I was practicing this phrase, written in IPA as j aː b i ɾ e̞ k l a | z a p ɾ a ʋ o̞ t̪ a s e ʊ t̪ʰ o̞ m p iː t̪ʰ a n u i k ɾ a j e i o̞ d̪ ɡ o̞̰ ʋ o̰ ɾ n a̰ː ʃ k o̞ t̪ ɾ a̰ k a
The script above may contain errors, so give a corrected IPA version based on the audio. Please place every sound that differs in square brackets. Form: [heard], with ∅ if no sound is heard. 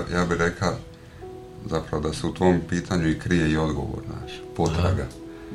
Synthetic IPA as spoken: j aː b i ɾ e̞ k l a | z a p ɾ a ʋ o̞ [d̪] a s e [u] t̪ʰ o̞ m p iː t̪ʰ a [ɲ] u i k ɾ [i] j e i o̞ d̪ ɡ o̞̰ ʋ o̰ ɾ n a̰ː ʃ [p] o̞ t̪ ɾ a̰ [ɡ] a